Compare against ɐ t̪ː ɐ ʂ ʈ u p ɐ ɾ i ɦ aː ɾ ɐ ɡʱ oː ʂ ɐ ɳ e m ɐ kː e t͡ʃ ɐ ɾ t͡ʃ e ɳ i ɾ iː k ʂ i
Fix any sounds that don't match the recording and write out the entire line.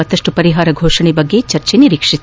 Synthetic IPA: ɐ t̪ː ɐ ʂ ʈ u p ɐ ɾ i ɦ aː ɾ ɐ ɡʱ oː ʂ ɐ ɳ e b ɐ ɡː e t͡ʃ ɐ ɾ t͡ʃ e n i ɾ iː k ʂ i